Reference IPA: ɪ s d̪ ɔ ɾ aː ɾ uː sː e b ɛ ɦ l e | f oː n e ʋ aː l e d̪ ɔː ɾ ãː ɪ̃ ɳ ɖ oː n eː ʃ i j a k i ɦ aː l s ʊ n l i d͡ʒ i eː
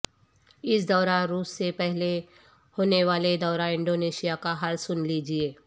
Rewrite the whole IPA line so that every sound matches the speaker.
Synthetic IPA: ɪ s d̪ ɔː ɾ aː ɾ uː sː e p ɛ ɦ l e | h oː n e ʋ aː l e d̪ ɔː ɾ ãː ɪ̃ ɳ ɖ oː n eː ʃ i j a k a ɦ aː l s ʊ n l i d͡ʒ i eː